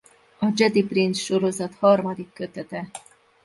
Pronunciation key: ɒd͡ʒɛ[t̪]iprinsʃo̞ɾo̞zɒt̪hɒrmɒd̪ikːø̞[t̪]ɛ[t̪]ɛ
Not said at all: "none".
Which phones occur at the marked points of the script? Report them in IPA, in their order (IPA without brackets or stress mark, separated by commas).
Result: d̪, t̪, t̪